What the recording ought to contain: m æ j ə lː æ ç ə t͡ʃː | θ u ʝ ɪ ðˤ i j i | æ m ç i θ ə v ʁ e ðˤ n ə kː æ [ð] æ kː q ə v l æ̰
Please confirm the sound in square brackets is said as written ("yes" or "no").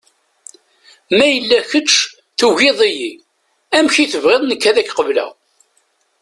yes